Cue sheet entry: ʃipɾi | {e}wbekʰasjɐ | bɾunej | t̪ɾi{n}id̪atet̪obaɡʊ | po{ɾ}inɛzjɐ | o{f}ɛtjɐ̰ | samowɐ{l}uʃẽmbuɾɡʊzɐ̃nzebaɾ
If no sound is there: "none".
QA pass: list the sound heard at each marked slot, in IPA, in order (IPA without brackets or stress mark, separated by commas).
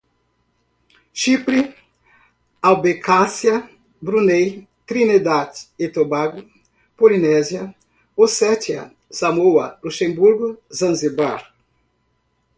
a, n, l, s, l